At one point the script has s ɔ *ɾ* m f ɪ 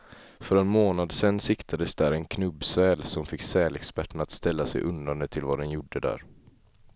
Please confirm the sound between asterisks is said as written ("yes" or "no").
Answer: no